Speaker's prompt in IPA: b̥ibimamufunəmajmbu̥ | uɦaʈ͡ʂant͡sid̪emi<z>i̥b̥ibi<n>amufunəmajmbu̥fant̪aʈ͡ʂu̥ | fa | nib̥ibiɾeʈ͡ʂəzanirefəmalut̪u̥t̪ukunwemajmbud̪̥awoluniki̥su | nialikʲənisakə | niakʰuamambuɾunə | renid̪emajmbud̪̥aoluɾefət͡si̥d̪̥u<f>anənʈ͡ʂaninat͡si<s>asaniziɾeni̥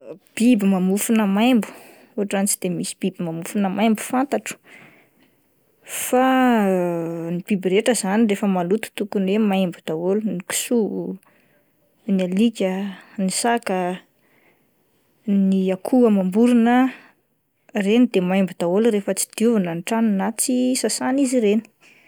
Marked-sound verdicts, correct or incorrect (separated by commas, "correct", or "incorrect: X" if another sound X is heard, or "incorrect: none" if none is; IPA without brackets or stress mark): incorrect: s, incorrect: m, incorrect: v, correct